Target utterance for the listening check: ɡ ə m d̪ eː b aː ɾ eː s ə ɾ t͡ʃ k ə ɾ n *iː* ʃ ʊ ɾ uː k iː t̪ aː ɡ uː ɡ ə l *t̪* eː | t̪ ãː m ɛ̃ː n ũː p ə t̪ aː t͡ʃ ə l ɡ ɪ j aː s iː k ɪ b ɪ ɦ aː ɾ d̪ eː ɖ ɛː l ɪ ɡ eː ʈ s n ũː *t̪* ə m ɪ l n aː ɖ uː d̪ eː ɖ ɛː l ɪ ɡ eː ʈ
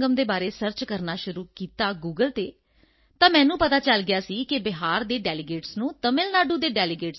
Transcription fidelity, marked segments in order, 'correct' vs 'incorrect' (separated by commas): incorrect, correct, correct